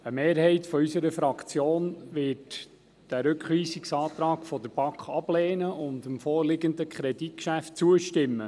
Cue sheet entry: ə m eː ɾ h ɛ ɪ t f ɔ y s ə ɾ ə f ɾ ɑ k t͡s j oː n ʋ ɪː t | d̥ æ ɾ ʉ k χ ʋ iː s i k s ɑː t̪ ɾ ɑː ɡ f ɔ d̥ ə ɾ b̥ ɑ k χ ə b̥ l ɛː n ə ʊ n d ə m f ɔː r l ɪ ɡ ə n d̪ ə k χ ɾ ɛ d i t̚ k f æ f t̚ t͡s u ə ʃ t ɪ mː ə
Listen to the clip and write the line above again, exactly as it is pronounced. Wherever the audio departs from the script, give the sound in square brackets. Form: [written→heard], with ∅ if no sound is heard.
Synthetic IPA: ə m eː ɾ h ɛ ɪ t f ɔ y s ə ɾ ə f ɾ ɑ k t͡s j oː n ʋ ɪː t | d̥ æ ɾ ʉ k χ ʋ iː s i k s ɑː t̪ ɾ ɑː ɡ f ɔ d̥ ə ɾ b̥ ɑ k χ [ə→ɑ] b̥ l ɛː n ə ʊ n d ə m f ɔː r l ɪ ɡ ə n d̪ ə k χ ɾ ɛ d i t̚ k [f→ʃ] æ f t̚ t͡s u ə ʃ t ɪ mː ə